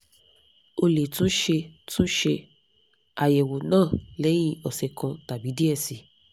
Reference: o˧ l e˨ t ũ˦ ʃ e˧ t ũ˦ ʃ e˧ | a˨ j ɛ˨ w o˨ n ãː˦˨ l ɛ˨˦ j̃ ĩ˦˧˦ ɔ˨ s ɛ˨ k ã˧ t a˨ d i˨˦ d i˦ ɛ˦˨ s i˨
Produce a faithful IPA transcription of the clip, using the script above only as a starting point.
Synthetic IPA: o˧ l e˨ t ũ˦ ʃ e˧ t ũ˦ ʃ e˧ | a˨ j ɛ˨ w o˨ n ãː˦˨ l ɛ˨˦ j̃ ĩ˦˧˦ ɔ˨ s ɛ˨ k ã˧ t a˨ b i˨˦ d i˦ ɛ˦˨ s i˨